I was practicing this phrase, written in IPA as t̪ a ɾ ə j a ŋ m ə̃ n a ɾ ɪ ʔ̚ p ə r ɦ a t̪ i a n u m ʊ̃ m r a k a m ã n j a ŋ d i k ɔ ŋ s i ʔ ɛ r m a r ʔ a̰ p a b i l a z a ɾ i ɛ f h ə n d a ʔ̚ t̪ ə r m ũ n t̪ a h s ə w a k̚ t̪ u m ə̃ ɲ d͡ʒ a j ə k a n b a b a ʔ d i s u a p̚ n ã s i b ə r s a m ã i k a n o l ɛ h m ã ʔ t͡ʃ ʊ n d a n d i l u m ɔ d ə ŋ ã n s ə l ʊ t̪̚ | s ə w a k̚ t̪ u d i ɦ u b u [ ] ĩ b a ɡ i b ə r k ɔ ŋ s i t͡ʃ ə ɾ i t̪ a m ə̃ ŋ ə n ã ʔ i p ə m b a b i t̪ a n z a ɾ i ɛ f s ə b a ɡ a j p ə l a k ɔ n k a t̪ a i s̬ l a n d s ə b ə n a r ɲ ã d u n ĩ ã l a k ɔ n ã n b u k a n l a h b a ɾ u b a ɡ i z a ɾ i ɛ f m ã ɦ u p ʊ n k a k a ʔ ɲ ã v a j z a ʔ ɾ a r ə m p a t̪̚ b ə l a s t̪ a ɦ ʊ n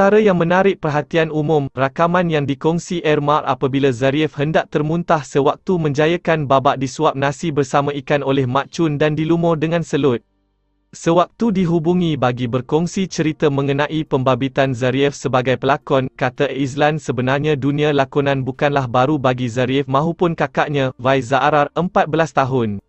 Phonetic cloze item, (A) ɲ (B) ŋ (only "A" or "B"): B